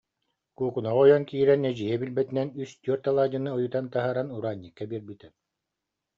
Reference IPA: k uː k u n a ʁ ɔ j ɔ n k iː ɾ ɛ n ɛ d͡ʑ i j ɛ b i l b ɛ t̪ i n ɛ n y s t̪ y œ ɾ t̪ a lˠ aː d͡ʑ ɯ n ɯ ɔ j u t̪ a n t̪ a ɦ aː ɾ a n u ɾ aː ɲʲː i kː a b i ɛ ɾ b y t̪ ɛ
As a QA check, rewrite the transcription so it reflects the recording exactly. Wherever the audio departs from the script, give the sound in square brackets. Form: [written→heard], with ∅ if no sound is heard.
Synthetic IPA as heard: k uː k u n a ʁ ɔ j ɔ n k iː ɾ ɛ n ɛ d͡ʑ i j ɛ b i l b ɛ t̪ i n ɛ n y s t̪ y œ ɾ t̪ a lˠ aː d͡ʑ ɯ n ɯ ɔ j u t̪ a n t̪ a ɦ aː ɾ a n u ɾ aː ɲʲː i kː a b i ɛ ɾ b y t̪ ɛ